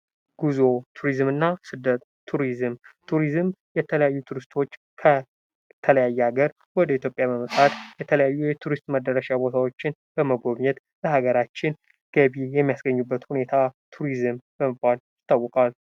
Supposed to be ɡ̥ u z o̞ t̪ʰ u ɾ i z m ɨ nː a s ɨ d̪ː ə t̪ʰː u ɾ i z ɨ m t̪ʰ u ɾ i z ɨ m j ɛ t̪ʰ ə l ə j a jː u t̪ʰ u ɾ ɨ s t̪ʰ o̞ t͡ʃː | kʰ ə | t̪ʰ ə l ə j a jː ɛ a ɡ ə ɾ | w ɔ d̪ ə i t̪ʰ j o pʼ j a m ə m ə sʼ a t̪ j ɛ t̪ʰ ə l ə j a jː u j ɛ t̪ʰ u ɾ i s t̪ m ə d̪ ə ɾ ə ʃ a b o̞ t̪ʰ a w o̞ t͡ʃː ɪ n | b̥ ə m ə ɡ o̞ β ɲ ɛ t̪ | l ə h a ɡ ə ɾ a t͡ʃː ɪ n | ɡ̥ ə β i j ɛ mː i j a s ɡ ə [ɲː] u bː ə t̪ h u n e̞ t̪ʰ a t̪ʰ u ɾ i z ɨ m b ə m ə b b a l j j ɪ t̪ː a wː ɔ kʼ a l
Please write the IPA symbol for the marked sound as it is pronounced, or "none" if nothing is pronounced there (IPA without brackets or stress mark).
ɲː